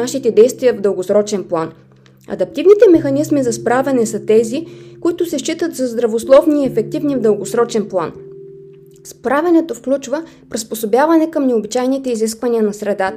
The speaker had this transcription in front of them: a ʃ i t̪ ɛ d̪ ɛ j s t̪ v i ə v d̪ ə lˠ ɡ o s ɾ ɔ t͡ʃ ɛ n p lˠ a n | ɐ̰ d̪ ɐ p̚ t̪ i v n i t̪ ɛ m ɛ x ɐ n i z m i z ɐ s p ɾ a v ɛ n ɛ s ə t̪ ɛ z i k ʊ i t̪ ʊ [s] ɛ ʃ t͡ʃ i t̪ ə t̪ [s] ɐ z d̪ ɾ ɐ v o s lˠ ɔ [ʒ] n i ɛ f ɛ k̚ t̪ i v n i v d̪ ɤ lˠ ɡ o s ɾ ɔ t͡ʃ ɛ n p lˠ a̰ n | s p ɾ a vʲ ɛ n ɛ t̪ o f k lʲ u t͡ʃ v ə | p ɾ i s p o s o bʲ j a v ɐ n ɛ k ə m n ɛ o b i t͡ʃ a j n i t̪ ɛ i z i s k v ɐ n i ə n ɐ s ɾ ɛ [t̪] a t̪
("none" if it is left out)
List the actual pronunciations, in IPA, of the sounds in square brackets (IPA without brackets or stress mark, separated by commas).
s, z, v, d̪